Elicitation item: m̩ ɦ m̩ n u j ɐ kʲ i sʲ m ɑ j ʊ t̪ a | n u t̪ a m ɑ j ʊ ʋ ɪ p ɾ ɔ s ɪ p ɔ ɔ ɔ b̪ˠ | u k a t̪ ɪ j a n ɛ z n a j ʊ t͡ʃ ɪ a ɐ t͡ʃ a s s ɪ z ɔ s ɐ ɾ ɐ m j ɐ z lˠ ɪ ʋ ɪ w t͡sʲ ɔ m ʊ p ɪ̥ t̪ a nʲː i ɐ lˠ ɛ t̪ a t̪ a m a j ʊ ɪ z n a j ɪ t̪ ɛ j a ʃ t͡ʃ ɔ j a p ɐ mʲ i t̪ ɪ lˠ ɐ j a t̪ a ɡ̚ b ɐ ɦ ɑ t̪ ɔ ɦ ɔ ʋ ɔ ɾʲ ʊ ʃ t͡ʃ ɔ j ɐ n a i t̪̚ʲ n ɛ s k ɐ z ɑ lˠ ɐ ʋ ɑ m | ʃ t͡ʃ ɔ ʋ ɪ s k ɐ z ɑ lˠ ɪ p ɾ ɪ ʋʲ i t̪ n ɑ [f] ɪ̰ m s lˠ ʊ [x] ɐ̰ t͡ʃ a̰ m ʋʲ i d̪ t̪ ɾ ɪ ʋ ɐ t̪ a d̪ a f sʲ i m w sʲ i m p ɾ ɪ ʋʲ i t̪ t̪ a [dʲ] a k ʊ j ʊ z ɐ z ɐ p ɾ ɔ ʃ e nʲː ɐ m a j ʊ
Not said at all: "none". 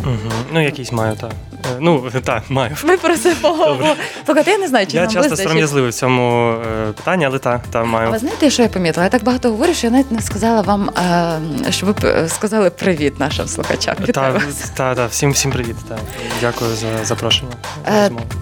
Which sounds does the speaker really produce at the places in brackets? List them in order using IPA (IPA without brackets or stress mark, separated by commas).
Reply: ʃ, x, dʲ